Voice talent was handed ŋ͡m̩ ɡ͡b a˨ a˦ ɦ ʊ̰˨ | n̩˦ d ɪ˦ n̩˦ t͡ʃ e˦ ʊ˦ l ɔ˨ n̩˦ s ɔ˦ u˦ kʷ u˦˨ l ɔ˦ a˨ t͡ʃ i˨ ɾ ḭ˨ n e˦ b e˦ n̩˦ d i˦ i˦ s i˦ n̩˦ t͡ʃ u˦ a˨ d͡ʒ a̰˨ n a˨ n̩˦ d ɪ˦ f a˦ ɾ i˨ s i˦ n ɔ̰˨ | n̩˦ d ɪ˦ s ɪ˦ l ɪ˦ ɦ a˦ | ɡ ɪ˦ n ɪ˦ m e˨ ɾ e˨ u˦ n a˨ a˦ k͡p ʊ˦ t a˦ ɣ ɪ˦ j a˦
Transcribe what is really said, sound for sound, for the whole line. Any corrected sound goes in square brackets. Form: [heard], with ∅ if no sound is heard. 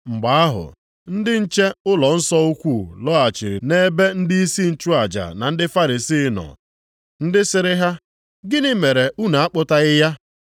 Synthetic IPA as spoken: ŋ͡m̩ ɡ͡b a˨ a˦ ɦ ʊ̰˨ | n̩˦ d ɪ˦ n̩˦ t͡ʃ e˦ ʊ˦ l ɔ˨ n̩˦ s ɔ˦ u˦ kʷ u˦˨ l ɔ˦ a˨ t͡ʃ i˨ ɾ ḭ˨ n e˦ b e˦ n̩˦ d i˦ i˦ s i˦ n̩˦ t͡ʃ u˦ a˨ d͡ʒ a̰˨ n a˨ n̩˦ d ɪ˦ f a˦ ɾ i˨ s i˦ n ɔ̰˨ | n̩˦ d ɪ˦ s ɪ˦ [ɾ] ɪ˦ ɦ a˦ | ɡ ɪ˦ n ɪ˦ m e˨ ɾ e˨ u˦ n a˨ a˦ k͡p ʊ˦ t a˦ ɣ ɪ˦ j a˦